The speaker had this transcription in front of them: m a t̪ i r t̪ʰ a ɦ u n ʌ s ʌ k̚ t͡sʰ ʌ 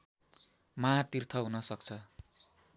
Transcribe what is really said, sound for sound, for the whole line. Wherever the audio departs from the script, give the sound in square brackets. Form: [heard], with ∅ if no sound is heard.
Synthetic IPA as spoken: m a t̪ i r t̪ʰ [ʌ] ɦ u n ʌ s ʌ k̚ t͡sʰ ʌ